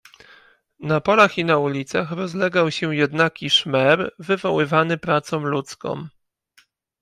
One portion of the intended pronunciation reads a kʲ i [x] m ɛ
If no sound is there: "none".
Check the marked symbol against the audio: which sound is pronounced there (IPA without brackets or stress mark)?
ʂ